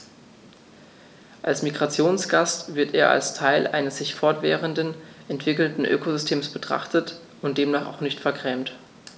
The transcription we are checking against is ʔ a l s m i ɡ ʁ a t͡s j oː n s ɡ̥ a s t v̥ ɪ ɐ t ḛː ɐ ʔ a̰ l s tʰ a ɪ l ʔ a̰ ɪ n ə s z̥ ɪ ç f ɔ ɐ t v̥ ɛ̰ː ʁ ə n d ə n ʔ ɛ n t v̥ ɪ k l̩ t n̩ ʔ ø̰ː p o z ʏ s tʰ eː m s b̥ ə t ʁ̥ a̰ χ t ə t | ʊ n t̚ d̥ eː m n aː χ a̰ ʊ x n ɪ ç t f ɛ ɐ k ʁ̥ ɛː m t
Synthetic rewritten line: ʔ a l s m i ɡ ʁ a t͡s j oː n s ɡ̥ a s t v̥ ɪ ɐ t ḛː ɐ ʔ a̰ l s tʰ a ɪ l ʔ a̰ ɪ n ə s z̥ ɪ ç f ɔ ɐ t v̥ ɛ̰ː ʁ ə n d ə n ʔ ɛ n t v̥ ɪ k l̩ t n̩ ʔ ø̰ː k o z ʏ s tʰ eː m s b̥ ə t ʁ̥ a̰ χ t ə t | ʊ n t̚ d̥ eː m n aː χ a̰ ʊ x n ɪ ç t f ɛ ɐ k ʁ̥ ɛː m t

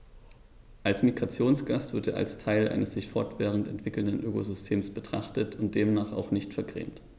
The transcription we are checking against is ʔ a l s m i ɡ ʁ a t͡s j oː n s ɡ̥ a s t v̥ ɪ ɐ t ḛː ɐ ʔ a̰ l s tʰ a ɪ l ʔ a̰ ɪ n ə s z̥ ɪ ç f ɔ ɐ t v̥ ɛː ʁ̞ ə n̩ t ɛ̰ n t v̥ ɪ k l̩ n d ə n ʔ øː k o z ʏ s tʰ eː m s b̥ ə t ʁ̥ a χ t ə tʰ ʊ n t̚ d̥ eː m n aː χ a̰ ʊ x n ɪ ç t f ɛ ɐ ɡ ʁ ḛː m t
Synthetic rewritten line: ʔ a l s m i ɡ ʁ a t͡s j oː n s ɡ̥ a s t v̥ ɪ ɐ t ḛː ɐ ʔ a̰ l s tʰ a ɪ l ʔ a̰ ɪ n ə s z̥ ɪ ç f ɔ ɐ t v̥ ɛː ʁ̞ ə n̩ t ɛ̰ n t v̥ ɪ k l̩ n d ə n ʔ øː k o z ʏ s tʰ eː m s b̥ ə t ʁ̥ a χ t ə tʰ ʊ n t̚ d̥ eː m n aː χ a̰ ʊ x n ɪ ç t f ɛ ɐ ɡ ʁ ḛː m t

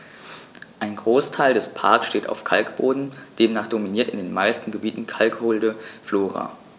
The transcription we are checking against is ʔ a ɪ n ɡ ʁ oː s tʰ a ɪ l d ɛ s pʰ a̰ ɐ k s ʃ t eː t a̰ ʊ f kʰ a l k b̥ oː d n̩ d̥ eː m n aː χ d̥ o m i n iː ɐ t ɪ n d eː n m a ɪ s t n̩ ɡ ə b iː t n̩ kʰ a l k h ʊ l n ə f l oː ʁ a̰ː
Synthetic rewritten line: ʔ a ɪ n ɡ ʁ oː s tʰ a ɪ l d ɛ s pʰ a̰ ɐ k s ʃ t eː t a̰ ʊ f kʰ a l k b̥ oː d n̩ d̥ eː m n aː χ d̥ o m i n iː ɐ t ɪ n d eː n m a ɪ s t n̩ ɡ ə b iː t n̩ kʰ a l k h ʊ l d ə f l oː ʁ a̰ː

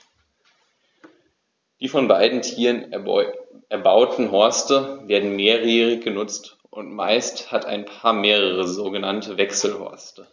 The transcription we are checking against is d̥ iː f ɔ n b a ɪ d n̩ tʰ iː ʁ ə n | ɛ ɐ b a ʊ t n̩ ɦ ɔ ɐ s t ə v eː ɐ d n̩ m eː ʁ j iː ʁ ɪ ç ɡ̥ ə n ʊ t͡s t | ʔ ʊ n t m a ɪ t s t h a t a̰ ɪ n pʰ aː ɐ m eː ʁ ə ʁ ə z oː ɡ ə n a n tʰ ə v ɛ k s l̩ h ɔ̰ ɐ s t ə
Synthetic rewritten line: d̥ iː f ɔ n b a ɪ d n̩ tʰ iː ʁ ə n | ɛ ɐ b a ʊ t n̩ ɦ ɔ ɐ s t ə v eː ɐ d n̩ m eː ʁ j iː ʁ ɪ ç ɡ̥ ə n ʊ t͡s t | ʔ ʊ n t m a ɪ s t h a t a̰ ɪ n pʰ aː ɐ m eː ʁ ə ʁ ə z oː ɡ ə n a n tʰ ə v ɛ k s l̩ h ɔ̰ ɐ s t ə

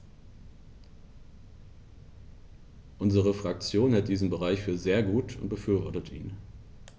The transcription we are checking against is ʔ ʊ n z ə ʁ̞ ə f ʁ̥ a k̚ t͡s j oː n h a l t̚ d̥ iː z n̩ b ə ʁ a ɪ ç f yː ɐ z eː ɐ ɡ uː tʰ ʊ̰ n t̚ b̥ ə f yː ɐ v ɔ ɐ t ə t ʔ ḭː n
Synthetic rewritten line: ʔ ʊ n z ə ʁ̞ ə f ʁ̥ a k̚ t͡s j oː n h ɛ l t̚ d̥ iː z n̩ b ə ʁ a ɪ ç f yː ɐ z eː ɐ ɡ uː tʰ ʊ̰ n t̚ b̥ ə f yː ɐ v ɔ ɐ t ə t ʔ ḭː n

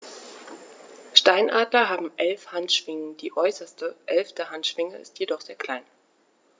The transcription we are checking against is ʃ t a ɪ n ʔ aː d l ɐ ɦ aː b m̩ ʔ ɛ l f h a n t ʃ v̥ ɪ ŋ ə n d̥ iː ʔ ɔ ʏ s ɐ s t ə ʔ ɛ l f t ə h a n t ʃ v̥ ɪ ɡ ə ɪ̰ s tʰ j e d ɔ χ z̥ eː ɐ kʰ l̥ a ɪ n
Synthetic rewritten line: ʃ t a ɪ n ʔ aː d l ɐ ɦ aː b m̩ ʔ ɛ l f h a n t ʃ v̥ ɪ ŋ ə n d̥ iː ʔ ɔ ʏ s ɐ s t ə ʔ ɛ l f t ə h a n t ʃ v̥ ɪ ŋ ə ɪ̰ s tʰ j e d ɔ χ z̥ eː ɐ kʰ l̥ a ɪ n

